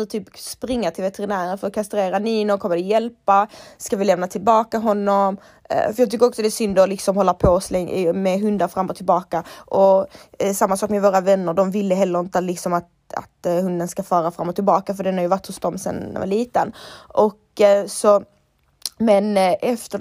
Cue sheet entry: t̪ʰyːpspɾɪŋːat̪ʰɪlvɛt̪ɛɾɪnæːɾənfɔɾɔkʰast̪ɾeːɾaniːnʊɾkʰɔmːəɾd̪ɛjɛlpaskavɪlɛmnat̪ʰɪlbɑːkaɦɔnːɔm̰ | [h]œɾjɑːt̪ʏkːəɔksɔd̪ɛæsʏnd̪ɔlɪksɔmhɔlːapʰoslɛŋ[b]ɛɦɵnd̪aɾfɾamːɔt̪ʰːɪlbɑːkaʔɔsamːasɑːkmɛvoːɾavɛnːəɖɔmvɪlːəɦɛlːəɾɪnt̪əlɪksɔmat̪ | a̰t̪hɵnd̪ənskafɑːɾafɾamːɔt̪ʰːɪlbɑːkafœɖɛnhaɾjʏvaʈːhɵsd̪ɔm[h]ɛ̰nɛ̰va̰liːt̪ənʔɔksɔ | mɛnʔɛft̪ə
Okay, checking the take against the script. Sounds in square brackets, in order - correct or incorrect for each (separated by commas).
incorrect, incorrect, incorrect